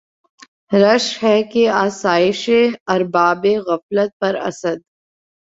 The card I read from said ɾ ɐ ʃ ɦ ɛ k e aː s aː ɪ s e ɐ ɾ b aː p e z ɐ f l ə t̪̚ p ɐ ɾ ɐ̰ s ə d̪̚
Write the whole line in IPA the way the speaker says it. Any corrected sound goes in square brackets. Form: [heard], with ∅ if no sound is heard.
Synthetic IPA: ɾ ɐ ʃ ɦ ɛ k e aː s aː ɪ [ʃ] e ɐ ɾ b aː [b] e [ɣ] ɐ f l ə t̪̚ p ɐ ɾ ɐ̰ s ə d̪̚